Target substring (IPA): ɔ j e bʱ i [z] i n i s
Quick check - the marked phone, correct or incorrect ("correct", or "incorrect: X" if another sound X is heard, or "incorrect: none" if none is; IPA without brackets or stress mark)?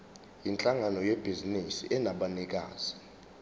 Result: correct